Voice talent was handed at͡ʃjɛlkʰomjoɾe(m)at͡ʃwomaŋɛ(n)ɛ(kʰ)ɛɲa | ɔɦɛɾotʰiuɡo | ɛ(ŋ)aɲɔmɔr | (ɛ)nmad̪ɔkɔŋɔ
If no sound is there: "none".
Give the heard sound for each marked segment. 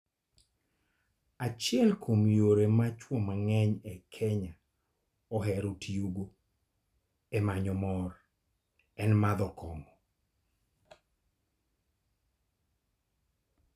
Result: m, ɲ, kʰ, m, ɛ

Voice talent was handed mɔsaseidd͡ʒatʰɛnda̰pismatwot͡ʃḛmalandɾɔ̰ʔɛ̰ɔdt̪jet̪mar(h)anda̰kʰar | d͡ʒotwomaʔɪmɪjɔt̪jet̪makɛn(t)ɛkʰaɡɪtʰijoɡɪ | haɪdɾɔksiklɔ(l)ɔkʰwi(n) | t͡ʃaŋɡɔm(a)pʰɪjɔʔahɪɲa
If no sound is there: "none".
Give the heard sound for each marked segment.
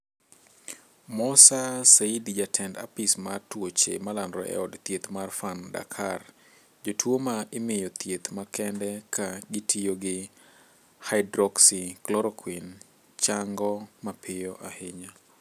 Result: f, d, ɾ, n, a

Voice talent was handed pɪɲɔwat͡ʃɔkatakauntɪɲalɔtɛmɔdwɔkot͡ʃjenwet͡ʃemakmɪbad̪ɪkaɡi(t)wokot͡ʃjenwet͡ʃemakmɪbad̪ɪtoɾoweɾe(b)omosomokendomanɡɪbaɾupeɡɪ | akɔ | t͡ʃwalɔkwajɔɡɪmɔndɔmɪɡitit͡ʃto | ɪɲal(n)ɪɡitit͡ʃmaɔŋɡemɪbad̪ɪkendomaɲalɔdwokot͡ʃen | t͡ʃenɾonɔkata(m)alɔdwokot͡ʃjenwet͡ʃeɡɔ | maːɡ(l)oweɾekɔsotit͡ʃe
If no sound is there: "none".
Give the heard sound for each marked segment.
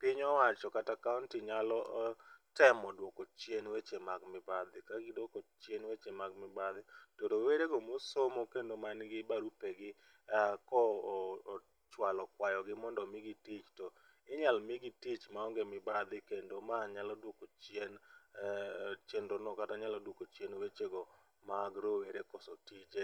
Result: d, ɡ, m, ɲ, ɾ

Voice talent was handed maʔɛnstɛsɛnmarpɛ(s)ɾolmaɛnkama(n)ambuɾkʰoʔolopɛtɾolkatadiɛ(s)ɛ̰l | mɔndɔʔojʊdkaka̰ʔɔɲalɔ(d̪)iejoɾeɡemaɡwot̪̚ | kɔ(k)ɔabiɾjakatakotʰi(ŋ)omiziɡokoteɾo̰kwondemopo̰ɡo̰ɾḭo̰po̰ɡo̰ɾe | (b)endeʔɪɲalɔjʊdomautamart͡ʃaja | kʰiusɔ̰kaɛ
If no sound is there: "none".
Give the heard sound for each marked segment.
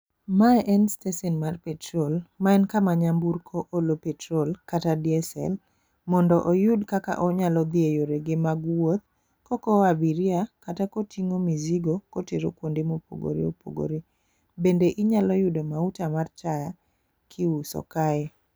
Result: t, ɲ, s, d̪, k, ŋ, b

